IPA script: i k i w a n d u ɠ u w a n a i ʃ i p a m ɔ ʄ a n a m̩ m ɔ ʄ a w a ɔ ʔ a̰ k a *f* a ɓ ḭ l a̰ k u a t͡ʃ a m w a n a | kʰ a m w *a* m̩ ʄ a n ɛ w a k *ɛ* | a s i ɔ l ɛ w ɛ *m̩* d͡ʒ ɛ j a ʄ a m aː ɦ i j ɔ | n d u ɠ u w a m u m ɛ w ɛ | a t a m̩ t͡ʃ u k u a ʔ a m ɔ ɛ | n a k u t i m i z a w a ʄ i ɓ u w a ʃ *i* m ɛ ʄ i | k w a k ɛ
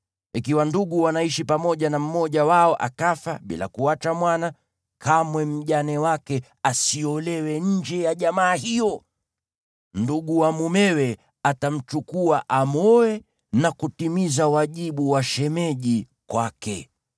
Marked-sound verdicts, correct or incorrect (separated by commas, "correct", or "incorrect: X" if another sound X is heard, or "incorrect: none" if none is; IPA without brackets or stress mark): correct, incorrect: ɛ, correct, incorrect: ɲ̩, incorrect: ɛ